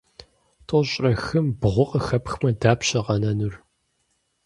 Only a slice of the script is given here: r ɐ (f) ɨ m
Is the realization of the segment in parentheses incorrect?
yes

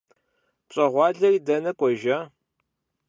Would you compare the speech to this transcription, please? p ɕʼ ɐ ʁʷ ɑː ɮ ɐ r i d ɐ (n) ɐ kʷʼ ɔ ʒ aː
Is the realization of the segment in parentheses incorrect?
no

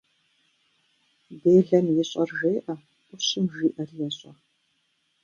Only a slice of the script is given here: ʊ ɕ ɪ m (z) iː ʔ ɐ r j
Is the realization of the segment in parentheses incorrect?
yes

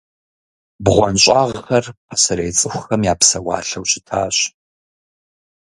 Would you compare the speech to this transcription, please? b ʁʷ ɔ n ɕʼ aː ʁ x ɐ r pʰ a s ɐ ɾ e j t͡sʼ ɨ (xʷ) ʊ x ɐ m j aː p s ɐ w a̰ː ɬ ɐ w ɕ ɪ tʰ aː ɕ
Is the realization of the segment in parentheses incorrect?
no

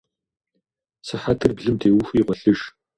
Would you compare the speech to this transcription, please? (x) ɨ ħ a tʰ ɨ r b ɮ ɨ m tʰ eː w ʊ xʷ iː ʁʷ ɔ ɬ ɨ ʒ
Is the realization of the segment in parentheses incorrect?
yes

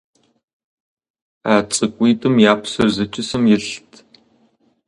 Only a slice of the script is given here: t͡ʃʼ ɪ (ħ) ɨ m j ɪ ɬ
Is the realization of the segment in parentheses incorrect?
yes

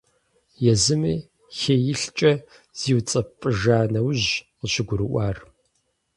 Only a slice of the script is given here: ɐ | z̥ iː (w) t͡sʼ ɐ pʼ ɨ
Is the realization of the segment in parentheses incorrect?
no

